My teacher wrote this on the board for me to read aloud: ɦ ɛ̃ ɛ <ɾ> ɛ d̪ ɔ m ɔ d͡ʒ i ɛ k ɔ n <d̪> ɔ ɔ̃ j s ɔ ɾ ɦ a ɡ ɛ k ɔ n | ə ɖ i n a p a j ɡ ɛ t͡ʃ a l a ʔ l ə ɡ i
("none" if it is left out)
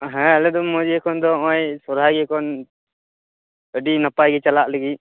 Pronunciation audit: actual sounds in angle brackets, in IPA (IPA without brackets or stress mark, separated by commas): l, d̪